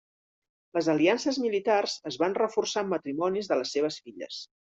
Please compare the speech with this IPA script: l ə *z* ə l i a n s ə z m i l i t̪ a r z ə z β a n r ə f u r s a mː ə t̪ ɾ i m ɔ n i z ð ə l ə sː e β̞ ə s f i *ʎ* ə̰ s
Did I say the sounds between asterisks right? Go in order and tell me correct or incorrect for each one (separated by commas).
correct, correct